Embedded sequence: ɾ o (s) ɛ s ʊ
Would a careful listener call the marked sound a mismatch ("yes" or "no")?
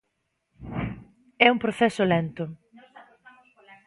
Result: yes